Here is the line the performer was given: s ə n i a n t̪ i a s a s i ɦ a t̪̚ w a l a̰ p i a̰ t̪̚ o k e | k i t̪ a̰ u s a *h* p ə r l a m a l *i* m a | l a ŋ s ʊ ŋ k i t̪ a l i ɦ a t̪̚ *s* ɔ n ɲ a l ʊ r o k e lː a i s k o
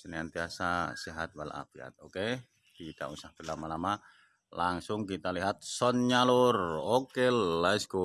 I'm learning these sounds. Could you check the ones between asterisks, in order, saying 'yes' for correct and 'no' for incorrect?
yes, no, yes

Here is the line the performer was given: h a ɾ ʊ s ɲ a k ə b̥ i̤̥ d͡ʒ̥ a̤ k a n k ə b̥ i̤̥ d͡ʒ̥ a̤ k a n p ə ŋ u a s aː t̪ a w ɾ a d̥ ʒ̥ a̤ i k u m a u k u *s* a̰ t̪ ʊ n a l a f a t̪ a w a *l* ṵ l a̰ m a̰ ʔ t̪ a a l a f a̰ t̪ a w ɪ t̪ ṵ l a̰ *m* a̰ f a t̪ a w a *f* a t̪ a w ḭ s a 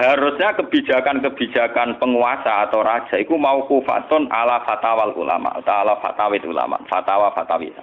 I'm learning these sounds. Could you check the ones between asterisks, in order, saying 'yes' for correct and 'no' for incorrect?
no, yes, yes, yes

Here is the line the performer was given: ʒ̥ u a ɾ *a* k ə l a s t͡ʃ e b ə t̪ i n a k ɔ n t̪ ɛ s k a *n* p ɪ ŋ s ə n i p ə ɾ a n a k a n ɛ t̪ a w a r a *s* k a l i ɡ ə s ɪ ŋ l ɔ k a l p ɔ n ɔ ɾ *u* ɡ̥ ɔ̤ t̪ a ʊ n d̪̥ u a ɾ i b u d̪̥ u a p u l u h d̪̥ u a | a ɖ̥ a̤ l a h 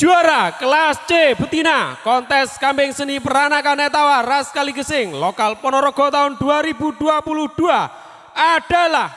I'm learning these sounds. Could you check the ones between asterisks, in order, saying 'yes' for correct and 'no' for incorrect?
yes, no, yes, no

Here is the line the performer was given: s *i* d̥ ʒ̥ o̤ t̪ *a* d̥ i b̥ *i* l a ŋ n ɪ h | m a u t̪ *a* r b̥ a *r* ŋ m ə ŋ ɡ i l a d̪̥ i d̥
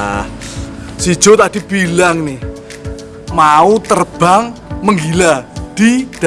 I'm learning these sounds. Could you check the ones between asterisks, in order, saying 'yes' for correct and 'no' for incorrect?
yes, yes, yes, no, no

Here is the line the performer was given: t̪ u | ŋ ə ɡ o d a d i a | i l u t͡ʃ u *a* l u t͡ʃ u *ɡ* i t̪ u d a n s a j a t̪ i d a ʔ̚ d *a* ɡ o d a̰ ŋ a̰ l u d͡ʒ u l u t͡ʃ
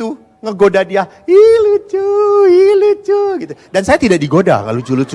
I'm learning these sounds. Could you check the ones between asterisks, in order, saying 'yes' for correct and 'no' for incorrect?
no, yes, no

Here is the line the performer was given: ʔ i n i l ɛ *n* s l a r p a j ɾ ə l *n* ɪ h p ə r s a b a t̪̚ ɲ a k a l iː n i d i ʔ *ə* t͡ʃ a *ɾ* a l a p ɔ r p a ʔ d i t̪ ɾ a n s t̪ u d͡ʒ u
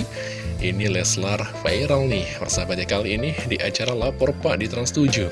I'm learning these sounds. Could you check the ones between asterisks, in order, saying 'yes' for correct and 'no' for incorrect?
no, yes, no, yes

